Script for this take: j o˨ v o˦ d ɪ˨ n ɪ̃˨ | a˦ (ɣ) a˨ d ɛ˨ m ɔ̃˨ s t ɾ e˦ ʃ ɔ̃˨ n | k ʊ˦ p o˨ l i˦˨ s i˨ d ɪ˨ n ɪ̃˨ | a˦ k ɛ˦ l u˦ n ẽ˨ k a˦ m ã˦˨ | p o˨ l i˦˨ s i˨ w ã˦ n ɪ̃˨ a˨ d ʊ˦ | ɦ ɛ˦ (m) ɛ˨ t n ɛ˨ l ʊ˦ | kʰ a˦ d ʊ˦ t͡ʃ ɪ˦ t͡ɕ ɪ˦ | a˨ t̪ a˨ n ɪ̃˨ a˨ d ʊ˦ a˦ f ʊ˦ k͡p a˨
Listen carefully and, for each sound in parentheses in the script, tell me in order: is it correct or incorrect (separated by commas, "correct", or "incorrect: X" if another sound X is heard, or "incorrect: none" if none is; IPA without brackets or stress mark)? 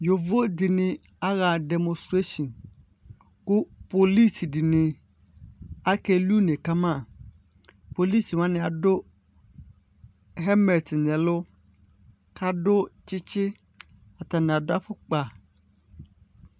correct, correct